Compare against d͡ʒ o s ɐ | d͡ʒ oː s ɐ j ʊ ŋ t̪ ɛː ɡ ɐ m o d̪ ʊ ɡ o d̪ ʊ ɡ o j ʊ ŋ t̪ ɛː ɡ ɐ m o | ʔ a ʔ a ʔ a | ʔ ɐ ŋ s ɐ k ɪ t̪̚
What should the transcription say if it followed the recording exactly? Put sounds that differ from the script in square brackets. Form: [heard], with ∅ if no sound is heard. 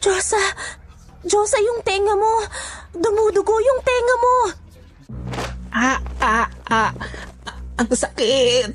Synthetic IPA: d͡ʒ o s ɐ | d͡ʒ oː s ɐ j ʊ ŋ t̪ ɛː [ŋ] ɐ m o d̪ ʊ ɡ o d̪ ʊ ɡ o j ʊ ŋ t̪ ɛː [ŋ] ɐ m o | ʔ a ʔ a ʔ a | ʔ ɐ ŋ s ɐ k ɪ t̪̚